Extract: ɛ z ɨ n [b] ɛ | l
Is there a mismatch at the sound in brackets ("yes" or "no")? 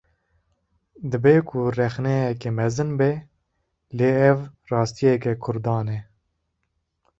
no